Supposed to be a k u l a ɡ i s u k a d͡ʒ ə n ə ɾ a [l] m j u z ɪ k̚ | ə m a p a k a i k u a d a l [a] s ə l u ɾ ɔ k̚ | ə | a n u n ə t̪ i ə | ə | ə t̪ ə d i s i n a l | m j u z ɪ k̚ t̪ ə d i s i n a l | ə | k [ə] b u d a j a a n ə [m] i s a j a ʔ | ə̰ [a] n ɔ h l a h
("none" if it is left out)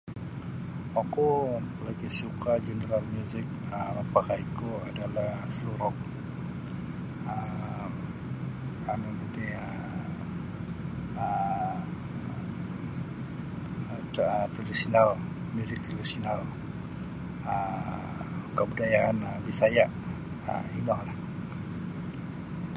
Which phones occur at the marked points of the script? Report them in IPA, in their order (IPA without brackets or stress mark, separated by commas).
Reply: l, a, ə, b, i